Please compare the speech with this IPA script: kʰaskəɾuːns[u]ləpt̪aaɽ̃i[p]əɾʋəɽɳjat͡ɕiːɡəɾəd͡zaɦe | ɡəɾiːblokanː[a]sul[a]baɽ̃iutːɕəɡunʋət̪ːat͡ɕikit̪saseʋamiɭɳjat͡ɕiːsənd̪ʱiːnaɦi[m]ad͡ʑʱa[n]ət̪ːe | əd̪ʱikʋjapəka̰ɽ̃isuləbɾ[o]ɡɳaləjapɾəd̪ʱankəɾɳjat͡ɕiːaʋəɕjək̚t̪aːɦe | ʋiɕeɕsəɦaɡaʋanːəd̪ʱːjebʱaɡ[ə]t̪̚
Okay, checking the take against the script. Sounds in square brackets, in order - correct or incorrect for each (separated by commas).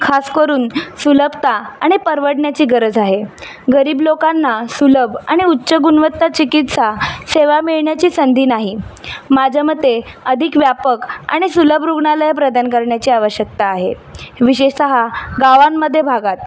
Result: correct, correct, correct, incorrect, correct, incorrect, incorrect, incorrect